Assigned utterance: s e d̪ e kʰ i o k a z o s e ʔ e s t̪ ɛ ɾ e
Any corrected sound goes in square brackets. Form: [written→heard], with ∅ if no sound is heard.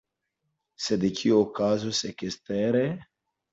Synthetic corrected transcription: s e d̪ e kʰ i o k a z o s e [ʔ→k] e s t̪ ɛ ɾ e